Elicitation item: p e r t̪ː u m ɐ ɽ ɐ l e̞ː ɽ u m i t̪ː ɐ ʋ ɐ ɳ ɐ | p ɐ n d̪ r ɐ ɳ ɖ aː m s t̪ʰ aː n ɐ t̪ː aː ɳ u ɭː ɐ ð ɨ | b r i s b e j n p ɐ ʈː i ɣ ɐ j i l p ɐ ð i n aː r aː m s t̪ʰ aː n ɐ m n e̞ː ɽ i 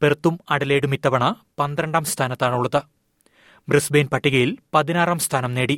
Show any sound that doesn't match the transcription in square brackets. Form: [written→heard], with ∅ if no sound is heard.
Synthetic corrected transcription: p e r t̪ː u m ɐ ɽ ɐ l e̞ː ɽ u m i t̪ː ɐ ʋ ɐ ɳ ɐ | p ɐ n d̪ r ɐ ɳ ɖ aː m s t̪ʰ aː n ɐ t̪ː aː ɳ u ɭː ɐ ð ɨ | b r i s b e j n p ɐ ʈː i ɣ ɐ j i l p ɐ ð i n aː r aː m s t̪ʰ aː n ɐ m n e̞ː ɽ i